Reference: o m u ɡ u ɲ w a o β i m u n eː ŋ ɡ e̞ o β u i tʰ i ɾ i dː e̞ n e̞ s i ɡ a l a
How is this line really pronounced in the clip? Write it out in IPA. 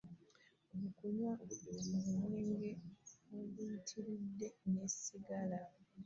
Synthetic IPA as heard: o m u k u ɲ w a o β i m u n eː ŋ ɡ e̞ o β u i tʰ i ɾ i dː e̞ n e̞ s i ɡ a l a